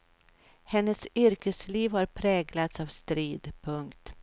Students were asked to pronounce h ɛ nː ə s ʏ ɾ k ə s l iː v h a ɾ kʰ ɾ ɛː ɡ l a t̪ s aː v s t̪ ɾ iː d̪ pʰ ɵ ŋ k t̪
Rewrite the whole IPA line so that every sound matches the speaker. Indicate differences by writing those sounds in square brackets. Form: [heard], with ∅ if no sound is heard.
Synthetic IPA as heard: h ɛ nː ə s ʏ ɾ k ə s l iː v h a ɾ [pʰ] ɾ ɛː ɡ l a t̪ s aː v s t̪ ɾ iː d̪ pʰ ɵ ŋ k t̪